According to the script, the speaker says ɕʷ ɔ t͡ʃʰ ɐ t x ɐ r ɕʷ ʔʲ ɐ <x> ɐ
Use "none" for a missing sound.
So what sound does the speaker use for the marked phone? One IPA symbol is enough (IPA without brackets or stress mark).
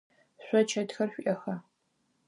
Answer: x